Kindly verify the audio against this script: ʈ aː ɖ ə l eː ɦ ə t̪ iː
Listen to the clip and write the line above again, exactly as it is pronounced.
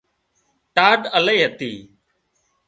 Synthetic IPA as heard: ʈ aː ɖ ə l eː ɦ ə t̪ iː